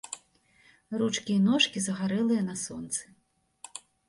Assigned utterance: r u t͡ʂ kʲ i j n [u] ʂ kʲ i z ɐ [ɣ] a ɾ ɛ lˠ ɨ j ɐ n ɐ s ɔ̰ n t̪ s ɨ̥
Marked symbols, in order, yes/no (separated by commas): no, yes